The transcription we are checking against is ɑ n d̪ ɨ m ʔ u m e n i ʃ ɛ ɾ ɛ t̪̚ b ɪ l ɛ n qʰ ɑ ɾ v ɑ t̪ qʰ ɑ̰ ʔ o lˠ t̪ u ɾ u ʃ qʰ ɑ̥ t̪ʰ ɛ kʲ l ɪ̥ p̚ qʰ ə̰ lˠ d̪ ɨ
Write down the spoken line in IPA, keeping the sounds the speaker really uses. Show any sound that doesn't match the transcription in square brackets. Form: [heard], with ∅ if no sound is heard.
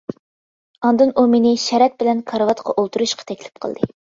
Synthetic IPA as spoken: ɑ n d̪ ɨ [n] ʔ u m e n [ɪ] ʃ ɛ ɾ ɛ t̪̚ b ɪ l ɛ n [kʰ] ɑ ɾ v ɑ t̪ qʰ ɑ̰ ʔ o lˠ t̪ u ɾ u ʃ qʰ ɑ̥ t̪ʰ ɛ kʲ l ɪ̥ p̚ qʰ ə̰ lˠ d̪ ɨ

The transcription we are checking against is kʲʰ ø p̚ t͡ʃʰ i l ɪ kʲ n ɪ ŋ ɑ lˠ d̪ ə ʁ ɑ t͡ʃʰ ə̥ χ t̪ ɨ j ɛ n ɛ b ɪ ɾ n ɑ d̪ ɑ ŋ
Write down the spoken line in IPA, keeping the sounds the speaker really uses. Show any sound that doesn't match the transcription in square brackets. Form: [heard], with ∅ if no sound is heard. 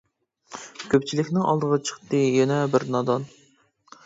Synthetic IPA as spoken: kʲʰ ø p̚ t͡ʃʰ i l ɪ kʲ n ɪ ŋ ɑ lˠ d̪ ə ʁ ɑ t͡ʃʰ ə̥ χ t̪ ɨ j ɛ n ɛ b ɪ ɾ n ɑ d̪ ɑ [n]

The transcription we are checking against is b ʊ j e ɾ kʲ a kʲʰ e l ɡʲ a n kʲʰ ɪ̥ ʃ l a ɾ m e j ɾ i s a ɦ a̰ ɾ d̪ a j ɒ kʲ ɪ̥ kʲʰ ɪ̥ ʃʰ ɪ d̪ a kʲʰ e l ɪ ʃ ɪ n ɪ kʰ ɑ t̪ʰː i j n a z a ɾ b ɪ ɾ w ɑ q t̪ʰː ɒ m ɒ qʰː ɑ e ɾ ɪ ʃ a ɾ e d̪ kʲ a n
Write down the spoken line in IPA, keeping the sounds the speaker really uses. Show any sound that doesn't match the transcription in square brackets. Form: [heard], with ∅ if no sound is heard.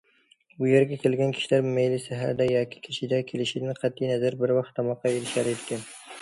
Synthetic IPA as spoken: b ʊ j e ɾ [ɡʲ] a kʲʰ e l ɡʲ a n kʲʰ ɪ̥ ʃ l a ɾ m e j [l] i s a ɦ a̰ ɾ d̪ a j ɒ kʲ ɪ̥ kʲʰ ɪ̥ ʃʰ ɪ d̪ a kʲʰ e l ɪ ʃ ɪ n ɪ [qʰ] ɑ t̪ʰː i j n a z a ɾ b ɪ ɾ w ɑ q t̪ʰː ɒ m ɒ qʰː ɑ e ɾ ɪ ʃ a ɾ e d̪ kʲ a n

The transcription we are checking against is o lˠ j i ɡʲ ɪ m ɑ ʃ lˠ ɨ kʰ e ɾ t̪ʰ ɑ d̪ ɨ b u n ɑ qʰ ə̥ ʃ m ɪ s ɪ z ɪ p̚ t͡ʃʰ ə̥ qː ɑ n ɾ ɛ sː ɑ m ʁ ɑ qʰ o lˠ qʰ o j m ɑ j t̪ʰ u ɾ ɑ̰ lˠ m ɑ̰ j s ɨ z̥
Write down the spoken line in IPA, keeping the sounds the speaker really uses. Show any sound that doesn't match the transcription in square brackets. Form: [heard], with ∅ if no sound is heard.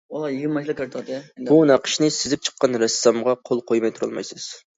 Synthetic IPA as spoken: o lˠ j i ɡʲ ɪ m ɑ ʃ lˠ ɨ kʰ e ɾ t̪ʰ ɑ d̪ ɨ b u n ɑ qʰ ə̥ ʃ [n] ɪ s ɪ z ɪ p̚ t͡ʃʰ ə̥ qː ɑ n ɾ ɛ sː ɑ m ʁ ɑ qʰ o lˠ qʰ o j m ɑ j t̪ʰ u ɾ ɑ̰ lˠ m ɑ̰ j s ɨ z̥

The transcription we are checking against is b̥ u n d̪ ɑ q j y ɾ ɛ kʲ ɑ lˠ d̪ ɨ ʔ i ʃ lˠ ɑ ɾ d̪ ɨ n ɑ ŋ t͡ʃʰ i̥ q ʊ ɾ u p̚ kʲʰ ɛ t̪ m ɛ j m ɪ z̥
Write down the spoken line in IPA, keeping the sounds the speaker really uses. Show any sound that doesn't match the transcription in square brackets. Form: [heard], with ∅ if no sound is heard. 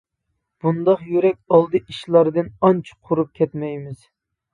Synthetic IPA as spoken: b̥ u n d̪ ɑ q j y ɾ ɛ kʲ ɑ lˠ d̪ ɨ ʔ i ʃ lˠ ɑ ɾ d̪ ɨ n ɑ [n] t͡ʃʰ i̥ [qʰ] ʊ ɾ u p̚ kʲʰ ɛ t̪ m ɛ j m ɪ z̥

